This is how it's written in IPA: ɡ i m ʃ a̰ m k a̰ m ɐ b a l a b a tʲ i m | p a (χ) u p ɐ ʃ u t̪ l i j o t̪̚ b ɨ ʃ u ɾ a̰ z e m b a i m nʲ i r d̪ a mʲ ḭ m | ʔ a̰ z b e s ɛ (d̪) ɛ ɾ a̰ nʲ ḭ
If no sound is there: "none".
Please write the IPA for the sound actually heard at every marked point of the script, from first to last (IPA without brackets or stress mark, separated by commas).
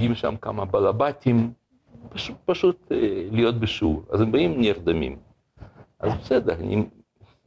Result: ʃ, d̪